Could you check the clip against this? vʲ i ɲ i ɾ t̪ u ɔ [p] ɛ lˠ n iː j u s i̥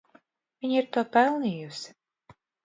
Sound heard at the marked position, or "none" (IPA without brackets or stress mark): p